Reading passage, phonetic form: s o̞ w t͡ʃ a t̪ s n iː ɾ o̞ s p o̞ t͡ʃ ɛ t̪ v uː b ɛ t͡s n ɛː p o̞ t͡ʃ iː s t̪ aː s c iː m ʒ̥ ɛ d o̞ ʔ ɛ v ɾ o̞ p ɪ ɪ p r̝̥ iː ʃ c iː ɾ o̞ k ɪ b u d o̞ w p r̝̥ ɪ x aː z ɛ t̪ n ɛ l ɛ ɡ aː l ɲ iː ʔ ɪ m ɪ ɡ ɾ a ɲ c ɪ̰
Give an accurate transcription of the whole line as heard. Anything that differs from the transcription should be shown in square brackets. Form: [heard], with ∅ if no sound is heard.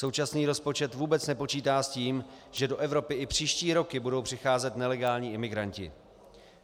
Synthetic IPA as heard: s o̞ w t͡ʃ a [∅] s n iː ɾ o̞ s p o̞ t͡ʃ ɛ t̪ v uː b ɛ t͡s n [ɛ] p o̞ t͡ʃ iː [∅] t̪ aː s c iː m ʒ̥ ɛ d o̞ ʔ ɛ v ɾ o̞ p ɪ ɪ p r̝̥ iː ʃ c iː ɾ o̞ k ɪ b u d o̞ w p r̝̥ ɪ x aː z ɛ t̪ n ɛ l ɛ ɡ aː l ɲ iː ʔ ɪ m ɪ ɡ ɾ a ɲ c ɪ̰